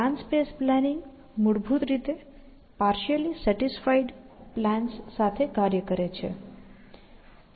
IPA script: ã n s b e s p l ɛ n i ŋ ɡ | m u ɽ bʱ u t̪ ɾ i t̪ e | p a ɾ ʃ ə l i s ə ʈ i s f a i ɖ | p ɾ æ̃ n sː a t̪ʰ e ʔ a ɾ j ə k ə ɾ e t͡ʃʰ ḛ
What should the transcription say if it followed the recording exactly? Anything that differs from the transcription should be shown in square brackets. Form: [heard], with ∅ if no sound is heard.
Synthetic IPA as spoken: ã n s [p] e s p l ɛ n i ŋ ɡ | m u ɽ bʱ u t̪ ɾ i t̪ e | p a ɾ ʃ ə l i s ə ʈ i s f a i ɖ | p [l] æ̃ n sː a t̪ʰ e [k] a ɾ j ə k ə ɾ e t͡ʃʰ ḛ